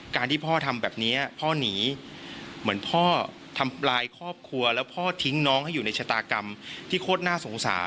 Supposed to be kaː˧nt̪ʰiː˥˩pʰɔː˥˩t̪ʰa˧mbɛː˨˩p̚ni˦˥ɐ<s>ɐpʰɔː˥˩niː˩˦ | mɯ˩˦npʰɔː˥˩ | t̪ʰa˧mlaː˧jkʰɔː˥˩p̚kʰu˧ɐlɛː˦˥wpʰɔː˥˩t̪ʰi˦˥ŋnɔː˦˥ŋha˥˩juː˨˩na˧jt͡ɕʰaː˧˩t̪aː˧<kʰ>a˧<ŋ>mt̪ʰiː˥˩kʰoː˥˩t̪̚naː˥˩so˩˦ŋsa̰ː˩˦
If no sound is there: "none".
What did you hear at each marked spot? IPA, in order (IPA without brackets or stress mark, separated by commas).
none, k, none